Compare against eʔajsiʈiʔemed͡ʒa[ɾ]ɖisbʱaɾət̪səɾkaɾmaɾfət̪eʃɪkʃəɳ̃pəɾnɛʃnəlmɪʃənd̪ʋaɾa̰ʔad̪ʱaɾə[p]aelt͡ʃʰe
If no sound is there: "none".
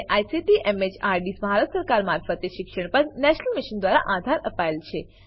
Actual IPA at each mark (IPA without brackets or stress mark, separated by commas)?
ɾ, p